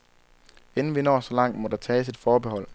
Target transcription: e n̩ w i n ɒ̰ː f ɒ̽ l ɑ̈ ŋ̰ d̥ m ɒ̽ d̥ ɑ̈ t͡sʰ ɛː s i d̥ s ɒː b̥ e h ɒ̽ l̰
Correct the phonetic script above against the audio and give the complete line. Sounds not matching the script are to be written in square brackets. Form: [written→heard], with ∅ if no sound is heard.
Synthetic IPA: e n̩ [w→ʋ] i n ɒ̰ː [f→s] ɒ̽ l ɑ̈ ŋ̰ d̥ m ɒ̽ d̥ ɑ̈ t͡sʰ ɛː s i d̥ [s→f] ɒː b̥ e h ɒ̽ l̰